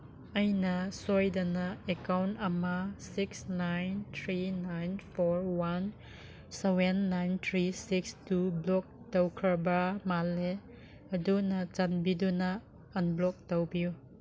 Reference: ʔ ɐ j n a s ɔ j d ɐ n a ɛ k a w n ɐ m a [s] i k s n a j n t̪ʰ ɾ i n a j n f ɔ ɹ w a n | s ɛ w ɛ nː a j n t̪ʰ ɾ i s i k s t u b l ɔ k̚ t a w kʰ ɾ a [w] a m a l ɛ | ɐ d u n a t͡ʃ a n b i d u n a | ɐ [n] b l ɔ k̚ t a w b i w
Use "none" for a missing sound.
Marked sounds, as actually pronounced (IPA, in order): s, b, n

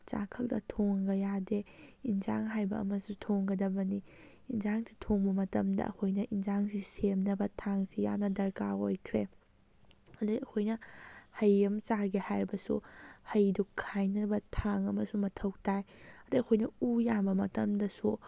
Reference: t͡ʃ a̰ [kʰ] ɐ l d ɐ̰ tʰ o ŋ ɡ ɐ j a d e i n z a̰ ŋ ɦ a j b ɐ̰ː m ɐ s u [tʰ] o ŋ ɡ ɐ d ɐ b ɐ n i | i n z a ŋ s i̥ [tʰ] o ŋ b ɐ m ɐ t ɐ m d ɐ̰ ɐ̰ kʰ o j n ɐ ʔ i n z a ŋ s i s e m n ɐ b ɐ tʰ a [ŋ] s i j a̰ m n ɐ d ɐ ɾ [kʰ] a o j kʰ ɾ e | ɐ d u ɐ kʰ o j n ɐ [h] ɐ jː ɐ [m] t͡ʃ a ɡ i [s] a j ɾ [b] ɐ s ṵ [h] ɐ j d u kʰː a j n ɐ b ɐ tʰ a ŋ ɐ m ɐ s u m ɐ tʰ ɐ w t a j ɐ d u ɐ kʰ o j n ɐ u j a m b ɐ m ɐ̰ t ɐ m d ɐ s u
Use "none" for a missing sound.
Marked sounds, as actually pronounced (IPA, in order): kʰ, tʰ, tʰ, ŋ, k, h, m, h, b, h

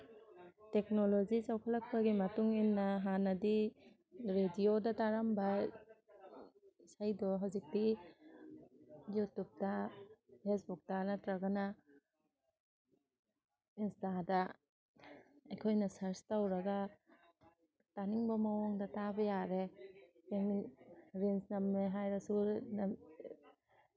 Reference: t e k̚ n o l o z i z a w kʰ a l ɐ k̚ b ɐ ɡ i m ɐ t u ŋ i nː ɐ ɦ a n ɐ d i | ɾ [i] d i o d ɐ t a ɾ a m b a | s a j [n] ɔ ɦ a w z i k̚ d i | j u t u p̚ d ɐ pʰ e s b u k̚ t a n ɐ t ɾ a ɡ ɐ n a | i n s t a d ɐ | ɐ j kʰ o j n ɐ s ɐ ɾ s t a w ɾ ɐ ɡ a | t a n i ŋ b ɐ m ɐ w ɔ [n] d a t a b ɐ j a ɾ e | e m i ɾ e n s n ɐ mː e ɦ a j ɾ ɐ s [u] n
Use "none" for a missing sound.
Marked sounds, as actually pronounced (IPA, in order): e, d, ŋ, u

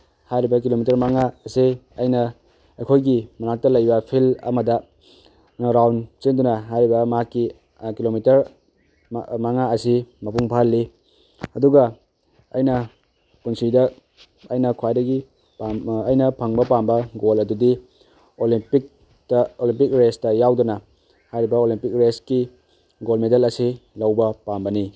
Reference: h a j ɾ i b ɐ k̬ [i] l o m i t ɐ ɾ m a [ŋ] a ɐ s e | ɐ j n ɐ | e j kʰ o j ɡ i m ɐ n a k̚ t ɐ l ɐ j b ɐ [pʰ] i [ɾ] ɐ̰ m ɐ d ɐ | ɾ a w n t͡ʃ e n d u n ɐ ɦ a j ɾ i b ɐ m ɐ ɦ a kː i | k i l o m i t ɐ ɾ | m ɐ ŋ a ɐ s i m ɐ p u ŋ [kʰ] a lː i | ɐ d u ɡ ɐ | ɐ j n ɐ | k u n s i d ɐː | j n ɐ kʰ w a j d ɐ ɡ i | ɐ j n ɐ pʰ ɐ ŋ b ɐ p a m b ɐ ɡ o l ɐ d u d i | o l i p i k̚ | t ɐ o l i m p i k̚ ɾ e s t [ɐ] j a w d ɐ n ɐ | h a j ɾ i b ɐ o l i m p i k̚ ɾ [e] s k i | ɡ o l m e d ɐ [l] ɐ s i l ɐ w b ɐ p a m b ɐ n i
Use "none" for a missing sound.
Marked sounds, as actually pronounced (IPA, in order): i, ŋ, pʰ, l, pʰ, ɐ, e, l

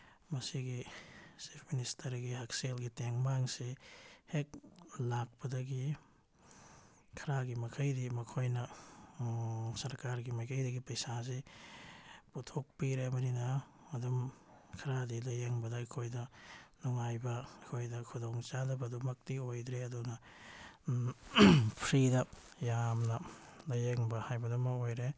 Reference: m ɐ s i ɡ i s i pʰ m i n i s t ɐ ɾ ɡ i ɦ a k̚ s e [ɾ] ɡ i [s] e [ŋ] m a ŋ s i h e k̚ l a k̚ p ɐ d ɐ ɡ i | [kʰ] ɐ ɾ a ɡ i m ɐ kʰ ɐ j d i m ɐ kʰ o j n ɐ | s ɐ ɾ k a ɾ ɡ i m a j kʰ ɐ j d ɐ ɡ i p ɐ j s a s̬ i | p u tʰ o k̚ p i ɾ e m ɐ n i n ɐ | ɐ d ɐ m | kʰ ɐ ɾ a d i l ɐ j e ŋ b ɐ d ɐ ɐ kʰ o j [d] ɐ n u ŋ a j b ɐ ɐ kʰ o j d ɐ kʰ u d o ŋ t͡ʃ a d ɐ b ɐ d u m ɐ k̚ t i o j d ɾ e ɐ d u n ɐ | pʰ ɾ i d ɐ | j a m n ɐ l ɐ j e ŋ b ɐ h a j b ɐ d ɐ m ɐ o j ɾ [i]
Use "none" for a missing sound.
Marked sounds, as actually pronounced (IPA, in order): l, t, ŋ, kʰ, d, e

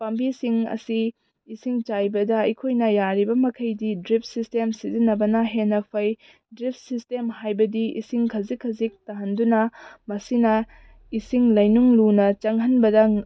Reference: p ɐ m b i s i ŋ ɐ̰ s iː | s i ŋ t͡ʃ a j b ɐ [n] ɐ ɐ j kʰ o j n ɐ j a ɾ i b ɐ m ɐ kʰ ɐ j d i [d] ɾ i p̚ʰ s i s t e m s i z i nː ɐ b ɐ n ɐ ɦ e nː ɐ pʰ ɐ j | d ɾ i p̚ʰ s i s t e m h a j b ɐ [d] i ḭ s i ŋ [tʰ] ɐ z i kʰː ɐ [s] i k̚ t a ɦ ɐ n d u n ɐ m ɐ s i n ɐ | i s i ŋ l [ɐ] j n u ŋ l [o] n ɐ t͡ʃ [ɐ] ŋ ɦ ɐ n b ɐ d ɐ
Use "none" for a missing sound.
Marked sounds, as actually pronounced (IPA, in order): d, d, d, kʰ, z, ɐ, u, ɐ

